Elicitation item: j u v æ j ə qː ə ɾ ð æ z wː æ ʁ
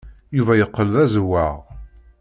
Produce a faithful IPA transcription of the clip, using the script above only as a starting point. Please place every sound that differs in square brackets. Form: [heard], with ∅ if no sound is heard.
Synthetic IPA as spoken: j u v æ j ə qː ə [l] ð æ z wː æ ʁ

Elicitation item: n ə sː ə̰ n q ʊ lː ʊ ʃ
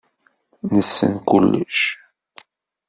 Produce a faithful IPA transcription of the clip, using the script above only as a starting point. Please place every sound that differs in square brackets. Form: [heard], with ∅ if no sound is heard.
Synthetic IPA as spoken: n ə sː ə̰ n [k] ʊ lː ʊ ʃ

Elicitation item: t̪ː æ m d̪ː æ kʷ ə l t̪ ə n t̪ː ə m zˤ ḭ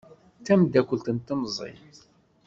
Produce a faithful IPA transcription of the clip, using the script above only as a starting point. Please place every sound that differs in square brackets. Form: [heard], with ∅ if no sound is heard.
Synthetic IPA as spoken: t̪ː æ m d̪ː æ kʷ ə l t̪ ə n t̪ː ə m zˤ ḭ

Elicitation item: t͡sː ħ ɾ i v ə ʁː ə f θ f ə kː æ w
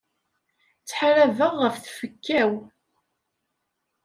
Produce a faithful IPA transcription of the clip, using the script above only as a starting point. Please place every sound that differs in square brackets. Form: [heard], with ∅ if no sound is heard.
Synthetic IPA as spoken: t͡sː ħ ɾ [æ] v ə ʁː ə f θ f ə kː æ w

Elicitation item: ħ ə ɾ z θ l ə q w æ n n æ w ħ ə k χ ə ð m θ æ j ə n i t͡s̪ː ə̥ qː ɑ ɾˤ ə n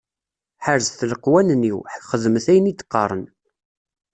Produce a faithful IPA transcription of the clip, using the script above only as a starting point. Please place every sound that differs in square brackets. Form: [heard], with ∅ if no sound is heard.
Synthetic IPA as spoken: ħ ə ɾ z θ l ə q w æ n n [i] w ħ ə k χ ə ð m θ æ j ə n i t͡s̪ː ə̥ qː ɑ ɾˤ ə n

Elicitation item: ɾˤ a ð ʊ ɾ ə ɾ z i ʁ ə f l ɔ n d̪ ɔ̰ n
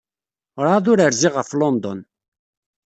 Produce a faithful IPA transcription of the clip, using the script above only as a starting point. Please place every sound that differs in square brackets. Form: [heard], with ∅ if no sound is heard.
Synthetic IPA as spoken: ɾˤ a ð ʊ ɾ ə ɾ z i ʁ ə f l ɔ n d̪ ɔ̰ n

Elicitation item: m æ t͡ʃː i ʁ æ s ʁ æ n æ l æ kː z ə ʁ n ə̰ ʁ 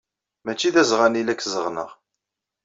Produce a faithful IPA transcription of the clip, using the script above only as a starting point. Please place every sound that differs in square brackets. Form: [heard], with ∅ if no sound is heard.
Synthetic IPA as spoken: m æ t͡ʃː i [ð] æ [z] ʁ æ n [i] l æ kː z ə ʁ n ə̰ ʁ

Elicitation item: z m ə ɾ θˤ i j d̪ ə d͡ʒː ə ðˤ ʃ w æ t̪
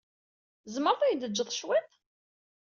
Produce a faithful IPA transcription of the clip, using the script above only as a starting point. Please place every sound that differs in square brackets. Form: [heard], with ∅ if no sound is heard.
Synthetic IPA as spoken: z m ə ɾ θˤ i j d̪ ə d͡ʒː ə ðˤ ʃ w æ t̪

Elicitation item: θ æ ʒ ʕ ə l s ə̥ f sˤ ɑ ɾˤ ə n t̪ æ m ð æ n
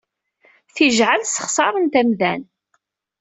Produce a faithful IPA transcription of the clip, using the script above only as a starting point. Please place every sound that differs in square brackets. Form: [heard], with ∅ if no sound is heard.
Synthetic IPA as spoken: θ [i] ʒ ʕ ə l s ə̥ [χ] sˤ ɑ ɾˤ ə n t̪ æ m ð æ n

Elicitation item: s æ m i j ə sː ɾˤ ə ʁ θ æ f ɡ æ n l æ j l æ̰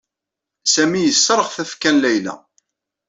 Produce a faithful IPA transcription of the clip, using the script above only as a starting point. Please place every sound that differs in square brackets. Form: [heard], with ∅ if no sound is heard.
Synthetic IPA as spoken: s æ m i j ə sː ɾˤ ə ʁ θ æ f [k] æ n l æ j l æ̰

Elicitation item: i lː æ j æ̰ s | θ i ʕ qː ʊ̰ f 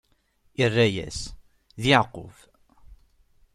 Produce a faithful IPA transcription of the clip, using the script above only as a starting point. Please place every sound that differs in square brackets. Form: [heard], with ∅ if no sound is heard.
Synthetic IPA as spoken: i [rː] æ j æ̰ s | [ð] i ʕ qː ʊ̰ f

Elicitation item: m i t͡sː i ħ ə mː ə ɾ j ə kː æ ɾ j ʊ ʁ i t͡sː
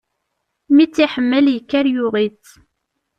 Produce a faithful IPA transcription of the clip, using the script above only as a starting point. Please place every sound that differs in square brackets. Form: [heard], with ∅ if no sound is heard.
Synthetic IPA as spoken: m i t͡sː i ħ ə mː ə [l] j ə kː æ ɾ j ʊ ʁ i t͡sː

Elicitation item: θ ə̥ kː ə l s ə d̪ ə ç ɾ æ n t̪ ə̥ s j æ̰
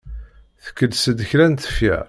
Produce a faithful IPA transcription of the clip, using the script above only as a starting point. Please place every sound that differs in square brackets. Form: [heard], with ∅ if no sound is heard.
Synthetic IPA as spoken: θ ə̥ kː ə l s ə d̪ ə ç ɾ æ n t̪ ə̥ [f] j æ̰

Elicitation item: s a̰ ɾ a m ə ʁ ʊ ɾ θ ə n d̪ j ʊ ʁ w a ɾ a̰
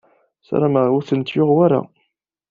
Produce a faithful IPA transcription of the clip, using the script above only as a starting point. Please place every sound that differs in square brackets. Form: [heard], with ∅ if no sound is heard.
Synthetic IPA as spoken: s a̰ ɾ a m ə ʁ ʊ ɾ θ ə n [t̪] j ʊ ʁ w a ɾ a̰

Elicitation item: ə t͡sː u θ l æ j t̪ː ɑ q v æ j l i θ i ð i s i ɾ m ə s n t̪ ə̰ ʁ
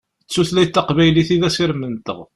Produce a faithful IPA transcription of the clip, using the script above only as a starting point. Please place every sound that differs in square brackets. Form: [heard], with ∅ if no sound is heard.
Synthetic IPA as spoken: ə t͡sː u θ l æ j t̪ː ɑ q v æ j l i θ i ð [æ] s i ɾ m ə [∅] n t̪ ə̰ ʁ

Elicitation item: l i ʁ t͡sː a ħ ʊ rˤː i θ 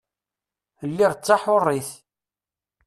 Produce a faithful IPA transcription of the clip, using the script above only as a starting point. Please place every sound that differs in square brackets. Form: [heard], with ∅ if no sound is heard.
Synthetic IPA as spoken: [lː] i ʁ t͡sː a ħ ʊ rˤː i θ

